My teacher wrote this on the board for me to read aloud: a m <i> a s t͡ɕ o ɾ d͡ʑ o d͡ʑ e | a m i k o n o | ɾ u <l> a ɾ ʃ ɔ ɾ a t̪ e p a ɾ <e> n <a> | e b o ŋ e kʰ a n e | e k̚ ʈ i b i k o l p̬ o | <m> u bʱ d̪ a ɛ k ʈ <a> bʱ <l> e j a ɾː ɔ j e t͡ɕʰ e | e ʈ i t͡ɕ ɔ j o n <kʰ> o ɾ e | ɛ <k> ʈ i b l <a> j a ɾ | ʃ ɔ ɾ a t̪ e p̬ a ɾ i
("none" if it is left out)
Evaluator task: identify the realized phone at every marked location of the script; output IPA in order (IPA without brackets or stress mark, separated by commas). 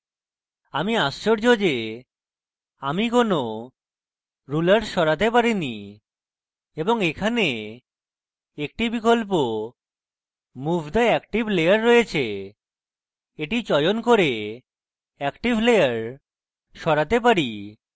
i, l, i, i, m, i, l, k, k, e